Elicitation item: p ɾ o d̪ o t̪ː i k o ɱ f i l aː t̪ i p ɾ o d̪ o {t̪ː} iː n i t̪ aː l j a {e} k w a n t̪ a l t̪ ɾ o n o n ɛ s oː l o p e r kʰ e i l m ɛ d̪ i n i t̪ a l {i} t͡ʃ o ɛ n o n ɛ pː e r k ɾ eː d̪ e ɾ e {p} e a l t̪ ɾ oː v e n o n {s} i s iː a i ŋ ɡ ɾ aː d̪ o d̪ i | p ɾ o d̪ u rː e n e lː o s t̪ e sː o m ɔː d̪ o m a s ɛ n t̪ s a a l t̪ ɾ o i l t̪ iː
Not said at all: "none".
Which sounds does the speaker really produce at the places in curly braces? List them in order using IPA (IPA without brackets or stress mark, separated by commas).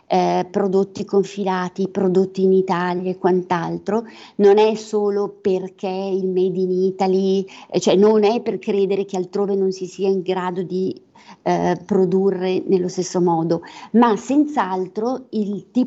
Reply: t̪ː, e, i, k, s